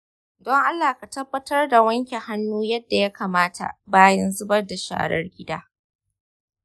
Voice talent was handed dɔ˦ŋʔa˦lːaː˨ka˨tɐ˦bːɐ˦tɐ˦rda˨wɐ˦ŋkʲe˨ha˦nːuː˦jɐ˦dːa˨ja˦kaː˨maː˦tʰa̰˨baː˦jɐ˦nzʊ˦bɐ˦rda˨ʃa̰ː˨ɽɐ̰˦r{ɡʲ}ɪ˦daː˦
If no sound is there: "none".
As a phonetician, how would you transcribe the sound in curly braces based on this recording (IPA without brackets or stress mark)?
ɡʲ